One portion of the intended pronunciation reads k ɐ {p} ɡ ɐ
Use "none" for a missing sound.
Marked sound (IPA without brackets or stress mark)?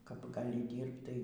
p